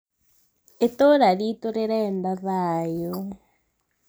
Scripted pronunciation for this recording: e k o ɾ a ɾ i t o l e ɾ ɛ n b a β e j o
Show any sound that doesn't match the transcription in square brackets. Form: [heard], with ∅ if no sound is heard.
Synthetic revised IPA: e [t] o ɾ a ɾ i t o [ɾ] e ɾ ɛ n [d] a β [a] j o

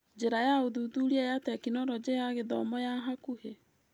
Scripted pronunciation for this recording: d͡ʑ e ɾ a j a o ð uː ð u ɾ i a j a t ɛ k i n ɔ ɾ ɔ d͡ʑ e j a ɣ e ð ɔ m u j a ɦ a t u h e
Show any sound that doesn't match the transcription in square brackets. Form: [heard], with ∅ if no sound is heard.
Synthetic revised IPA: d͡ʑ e ɾ a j a o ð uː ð u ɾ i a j a t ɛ k i n ɔ ɾ ɔ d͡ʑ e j a ɣ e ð ɔ m [ɔ] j a ɦ a [k] u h e

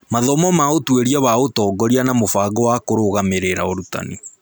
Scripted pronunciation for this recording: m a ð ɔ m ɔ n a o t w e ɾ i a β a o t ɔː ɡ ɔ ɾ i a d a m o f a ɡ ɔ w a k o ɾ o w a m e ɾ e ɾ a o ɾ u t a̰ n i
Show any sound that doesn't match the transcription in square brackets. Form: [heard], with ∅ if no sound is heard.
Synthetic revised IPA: m a ð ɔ m ɔ [m] a o t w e ɾ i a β a o t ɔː ɡ ɔ ɾ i a [n] a m o f a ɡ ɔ w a k o ɾ o [ɣ] a m e ɾ e ɾ a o ɾ u t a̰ n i

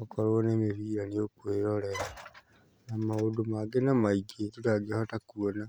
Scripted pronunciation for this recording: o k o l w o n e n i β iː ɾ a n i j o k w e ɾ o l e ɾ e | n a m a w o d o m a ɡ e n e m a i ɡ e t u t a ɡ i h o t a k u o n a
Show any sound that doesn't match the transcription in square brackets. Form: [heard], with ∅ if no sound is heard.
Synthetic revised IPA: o k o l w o n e [m] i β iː ɾ a n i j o k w e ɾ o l e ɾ [a] | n a m a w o d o m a ɡ e n [a] m a i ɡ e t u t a ɡ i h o t a k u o n a

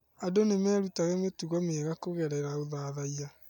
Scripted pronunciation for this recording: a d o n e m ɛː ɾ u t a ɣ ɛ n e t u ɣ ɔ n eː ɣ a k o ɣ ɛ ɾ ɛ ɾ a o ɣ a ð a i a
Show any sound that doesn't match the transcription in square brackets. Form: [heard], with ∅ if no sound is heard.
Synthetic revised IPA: a d o n e m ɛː ɾ u t a ɣ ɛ [m] e t u ɣ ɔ [m] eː ɣ a k o ɣ ɛ ɾ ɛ ɾ a o [ð] a ð a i a

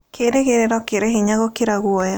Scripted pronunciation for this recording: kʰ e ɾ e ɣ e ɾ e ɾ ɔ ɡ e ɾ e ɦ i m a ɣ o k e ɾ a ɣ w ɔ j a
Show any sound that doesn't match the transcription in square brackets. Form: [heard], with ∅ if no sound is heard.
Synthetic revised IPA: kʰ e ɾ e ɣ e ɾ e ɾ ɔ [k] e ɾ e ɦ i [ɲ] a ɣ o k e ɾ a ɣ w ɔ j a

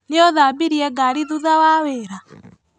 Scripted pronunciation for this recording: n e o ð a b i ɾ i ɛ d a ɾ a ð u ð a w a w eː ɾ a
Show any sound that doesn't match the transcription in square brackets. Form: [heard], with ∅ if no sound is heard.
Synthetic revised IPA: n e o ð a b i ɾ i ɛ [ɡ] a ɾ [i] ð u ð a w a w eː ɾ a

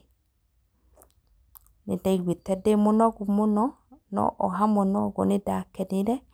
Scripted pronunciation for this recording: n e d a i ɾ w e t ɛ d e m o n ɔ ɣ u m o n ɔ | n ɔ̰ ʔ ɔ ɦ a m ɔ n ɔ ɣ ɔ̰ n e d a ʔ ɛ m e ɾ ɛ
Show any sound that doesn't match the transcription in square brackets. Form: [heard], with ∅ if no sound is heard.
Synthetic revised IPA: n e d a i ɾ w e t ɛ d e m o n ɔ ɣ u m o n ɔ | n ɔ̰ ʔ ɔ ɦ a m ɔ n ɔ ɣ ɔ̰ n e d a [k] ɛ [n] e ɾ ɛ

